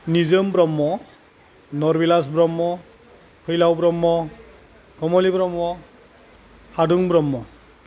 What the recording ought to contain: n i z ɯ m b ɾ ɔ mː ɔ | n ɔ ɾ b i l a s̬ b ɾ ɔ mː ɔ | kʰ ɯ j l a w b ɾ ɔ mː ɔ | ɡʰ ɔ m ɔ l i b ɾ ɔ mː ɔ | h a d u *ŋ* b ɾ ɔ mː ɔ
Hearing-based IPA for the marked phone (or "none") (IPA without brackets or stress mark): ŋ